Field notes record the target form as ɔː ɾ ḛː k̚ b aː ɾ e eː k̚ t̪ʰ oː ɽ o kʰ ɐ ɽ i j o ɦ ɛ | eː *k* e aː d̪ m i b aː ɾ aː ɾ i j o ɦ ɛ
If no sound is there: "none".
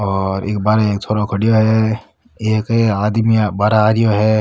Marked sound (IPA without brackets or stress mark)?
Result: k